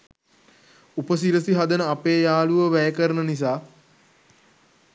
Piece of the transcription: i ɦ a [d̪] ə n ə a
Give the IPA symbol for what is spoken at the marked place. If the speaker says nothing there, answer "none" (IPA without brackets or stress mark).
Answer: d̪